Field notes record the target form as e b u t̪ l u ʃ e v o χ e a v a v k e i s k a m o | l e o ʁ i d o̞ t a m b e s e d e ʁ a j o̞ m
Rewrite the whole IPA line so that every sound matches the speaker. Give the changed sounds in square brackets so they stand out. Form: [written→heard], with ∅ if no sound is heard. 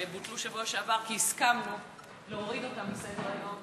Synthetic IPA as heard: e b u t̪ l u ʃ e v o [χ→ʃ] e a v a [v→ʁ] k [e→i] i s k a m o | l e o ʁ i d o̞ t a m b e s e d e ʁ a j o̞ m